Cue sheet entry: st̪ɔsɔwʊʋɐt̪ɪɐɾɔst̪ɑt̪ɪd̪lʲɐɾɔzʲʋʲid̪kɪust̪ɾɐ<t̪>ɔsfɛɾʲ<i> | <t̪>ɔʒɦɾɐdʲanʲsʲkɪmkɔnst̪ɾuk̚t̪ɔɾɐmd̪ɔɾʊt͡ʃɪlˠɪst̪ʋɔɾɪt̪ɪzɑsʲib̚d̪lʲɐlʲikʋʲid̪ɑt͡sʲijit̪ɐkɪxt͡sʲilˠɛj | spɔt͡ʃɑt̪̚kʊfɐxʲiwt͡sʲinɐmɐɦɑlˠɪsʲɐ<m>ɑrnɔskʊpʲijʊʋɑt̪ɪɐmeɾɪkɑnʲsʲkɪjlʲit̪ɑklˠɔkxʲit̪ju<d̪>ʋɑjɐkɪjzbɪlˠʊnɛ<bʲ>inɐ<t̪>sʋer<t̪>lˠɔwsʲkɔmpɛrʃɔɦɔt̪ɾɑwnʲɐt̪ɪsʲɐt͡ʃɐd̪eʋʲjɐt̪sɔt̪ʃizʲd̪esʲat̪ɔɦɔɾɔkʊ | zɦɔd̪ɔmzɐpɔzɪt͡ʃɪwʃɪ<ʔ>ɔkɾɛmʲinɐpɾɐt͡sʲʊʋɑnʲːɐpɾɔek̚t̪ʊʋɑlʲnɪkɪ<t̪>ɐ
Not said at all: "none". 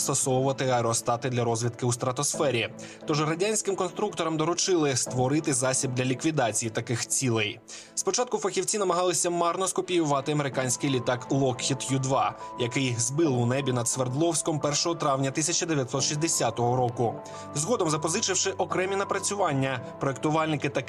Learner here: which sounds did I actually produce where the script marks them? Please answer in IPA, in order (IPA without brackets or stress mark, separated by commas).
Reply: t̪, i, t̪, m, d̪, bʲ, d̪, d̪, ʔ, t̪